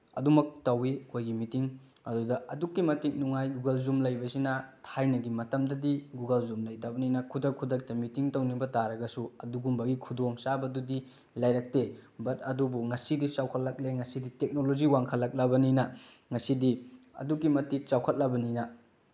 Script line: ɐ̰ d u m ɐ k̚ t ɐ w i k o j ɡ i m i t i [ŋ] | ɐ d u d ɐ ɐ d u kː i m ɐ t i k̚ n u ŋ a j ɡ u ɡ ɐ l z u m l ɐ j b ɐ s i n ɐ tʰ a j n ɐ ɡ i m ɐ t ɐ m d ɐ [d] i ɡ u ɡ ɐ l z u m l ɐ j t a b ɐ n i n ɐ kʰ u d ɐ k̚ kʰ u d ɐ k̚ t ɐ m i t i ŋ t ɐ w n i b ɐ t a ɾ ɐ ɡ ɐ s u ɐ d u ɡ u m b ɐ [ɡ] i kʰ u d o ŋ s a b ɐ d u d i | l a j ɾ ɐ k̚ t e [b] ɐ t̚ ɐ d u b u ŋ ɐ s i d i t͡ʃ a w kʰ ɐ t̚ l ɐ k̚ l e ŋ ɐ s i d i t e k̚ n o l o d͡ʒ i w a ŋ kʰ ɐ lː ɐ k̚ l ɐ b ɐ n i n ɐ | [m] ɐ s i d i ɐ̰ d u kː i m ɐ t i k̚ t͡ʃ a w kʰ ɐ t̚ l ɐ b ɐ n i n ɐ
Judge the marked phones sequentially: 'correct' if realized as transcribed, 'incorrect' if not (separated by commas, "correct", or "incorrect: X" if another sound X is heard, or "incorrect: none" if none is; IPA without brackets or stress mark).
correct, correct, correct, correct, incorrect: ŋ